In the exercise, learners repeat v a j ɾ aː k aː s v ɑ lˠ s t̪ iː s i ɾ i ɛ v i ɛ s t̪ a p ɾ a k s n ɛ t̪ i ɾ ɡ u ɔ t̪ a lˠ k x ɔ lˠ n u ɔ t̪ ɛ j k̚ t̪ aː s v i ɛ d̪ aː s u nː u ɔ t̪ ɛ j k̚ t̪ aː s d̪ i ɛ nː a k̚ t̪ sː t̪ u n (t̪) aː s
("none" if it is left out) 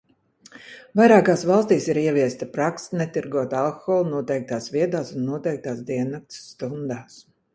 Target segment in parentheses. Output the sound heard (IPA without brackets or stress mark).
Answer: d̪